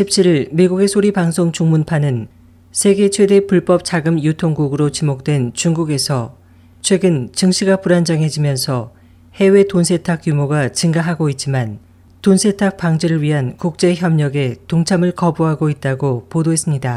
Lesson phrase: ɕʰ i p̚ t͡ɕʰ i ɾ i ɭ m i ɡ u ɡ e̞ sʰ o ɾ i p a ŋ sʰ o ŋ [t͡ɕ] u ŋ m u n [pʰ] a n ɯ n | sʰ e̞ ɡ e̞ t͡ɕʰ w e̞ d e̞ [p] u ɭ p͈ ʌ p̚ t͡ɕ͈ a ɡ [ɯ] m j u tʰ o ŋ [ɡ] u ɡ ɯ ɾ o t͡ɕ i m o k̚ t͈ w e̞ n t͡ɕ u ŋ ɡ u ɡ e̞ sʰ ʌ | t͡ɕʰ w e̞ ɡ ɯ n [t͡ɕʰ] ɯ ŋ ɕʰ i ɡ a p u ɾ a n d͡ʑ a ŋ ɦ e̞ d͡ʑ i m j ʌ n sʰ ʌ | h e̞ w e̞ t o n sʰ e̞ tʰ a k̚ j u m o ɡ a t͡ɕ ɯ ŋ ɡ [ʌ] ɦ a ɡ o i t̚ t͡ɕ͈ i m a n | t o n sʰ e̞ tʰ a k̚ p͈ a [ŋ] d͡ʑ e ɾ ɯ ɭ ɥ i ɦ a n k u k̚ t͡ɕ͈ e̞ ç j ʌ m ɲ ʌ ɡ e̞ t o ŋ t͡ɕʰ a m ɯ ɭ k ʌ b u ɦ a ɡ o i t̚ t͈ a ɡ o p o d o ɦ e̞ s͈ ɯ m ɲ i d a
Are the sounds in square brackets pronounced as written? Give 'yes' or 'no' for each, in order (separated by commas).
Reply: yes, yes, yes, yes, yes, no, no, yes